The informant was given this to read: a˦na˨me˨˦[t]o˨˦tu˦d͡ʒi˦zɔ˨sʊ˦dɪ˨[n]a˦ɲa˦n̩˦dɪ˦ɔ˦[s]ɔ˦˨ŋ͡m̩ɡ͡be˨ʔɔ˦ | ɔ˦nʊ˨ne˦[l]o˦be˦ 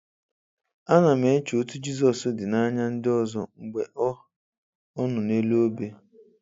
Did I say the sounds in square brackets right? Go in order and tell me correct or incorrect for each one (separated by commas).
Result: incorrect, correct, incorrect, correct